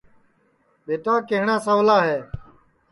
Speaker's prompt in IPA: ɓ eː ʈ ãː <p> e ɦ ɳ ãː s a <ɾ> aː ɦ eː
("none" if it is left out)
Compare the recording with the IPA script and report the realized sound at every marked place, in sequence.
k, l

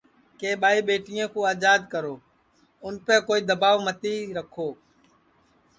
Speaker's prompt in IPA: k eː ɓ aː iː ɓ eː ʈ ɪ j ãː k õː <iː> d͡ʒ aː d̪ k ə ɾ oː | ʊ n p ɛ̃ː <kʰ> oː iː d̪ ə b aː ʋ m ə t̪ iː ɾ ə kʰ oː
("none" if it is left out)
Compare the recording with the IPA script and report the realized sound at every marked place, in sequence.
aː, k

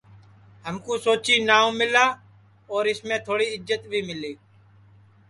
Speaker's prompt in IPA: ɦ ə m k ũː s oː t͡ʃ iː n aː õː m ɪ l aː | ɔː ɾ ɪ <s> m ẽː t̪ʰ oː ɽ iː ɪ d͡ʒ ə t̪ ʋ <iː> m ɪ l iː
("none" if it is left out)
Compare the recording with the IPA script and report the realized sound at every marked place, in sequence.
s, iː

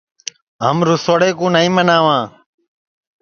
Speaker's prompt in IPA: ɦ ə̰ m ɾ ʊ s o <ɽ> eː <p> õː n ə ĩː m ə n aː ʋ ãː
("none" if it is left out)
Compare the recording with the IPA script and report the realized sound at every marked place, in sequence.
ɽ, k

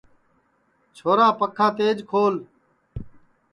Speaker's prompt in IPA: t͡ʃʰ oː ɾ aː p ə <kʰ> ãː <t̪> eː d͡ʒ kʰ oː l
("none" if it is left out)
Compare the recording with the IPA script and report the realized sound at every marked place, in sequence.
kʰ, t̪

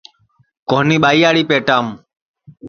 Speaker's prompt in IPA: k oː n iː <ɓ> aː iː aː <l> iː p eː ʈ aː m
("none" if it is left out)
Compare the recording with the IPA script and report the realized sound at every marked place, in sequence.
ɓ, ɽ

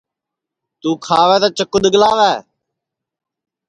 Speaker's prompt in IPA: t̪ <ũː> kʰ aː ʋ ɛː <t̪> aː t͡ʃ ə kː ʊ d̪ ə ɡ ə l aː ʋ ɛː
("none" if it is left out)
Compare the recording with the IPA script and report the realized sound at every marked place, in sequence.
uː, t̪

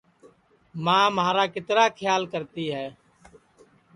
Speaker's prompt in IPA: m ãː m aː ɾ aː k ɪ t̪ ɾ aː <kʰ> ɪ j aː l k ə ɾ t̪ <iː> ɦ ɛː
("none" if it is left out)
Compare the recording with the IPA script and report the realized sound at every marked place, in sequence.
kʰ, iː

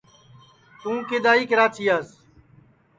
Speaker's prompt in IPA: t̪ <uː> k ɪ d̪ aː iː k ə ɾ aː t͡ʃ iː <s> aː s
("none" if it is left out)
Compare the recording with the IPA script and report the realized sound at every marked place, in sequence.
ũː, none

